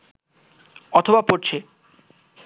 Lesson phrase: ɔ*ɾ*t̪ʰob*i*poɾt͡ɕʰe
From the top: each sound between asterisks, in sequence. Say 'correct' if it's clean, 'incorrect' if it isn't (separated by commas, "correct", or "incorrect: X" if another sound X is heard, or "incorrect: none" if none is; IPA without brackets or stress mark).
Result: incorrect: none, incorrect: a